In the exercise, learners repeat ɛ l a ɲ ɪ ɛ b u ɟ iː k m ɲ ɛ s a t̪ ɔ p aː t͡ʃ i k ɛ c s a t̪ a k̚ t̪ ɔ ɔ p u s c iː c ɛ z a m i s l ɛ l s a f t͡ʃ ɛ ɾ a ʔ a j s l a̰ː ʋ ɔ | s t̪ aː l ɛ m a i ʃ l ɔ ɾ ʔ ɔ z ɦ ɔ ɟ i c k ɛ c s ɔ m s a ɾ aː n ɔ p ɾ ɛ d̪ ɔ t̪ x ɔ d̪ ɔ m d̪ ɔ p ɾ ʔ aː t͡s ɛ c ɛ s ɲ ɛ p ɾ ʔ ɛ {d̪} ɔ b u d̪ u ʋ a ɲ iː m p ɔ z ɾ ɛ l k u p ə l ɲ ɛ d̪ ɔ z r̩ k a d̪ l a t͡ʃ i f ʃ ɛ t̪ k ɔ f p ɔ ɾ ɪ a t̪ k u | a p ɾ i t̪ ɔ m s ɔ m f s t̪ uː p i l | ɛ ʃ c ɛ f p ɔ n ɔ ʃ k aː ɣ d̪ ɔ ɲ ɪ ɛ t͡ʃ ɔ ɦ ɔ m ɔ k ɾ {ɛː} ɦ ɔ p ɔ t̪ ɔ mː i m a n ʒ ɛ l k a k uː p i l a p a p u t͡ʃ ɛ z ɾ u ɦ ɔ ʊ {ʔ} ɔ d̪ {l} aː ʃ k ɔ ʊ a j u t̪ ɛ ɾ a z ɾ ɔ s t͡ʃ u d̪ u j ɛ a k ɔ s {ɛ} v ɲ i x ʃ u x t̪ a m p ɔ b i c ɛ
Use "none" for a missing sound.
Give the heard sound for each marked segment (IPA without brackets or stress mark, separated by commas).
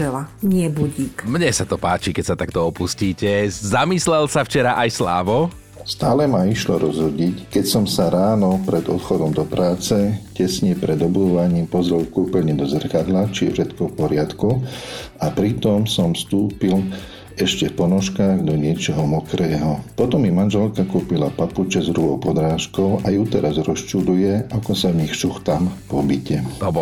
d̪, ɛː, p, ɾ, a